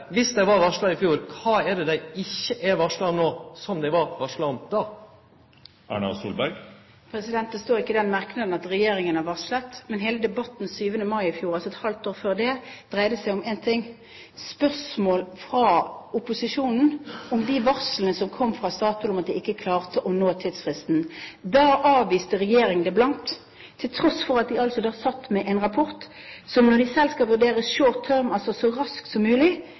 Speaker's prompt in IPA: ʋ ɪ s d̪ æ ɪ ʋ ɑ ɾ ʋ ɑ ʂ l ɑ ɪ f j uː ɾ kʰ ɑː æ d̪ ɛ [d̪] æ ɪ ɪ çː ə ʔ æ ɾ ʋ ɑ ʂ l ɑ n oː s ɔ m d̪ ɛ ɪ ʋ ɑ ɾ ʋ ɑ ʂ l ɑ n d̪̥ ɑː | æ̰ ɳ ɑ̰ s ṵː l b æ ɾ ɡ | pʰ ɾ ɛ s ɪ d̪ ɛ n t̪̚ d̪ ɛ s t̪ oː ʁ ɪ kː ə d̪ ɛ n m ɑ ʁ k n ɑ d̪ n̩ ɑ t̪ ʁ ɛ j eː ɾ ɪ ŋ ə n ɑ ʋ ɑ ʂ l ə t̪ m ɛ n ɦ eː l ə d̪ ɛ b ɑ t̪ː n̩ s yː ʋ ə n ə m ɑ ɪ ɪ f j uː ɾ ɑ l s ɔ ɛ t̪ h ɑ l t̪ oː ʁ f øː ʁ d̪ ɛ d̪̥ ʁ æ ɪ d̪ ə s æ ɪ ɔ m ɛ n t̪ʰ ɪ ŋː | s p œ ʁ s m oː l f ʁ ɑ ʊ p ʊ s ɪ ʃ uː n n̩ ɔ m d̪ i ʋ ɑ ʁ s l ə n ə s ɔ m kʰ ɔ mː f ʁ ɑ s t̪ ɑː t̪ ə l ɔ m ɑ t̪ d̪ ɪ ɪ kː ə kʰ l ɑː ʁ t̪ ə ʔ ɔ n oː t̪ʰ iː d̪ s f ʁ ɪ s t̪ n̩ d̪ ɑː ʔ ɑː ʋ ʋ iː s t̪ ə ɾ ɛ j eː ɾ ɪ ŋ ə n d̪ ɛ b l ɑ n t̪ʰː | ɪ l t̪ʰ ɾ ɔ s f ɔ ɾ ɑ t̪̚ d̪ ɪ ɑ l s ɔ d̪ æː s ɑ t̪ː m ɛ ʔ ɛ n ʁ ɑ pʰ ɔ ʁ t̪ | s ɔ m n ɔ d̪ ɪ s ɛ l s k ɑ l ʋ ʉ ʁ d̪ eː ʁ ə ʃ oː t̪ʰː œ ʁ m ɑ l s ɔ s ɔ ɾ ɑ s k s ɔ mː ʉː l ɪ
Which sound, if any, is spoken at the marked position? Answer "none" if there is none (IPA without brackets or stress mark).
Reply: d̪